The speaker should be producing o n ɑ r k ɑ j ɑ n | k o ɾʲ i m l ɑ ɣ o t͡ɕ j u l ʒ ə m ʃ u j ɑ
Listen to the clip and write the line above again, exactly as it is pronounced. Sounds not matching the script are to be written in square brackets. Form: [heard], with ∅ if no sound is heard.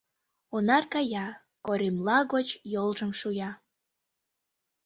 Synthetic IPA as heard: o n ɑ r k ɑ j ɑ [∅] | k o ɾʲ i m l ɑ ɣ o t͡ɕ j [o] l ʒ ə m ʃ u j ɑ